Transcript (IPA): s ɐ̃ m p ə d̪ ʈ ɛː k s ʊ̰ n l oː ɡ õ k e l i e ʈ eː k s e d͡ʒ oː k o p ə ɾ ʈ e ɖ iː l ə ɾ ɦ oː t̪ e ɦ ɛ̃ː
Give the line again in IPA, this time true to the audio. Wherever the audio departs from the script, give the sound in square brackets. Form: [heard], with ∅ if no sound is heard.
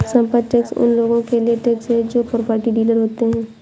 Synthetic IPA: s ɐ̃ m p ə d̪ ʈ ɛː k s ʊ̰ n l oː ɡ õ k e l i e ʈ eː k s e d͡ʒ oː [p] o p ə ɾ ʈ [i] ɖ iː l ə ɾ ɦ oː t̪ e ɦ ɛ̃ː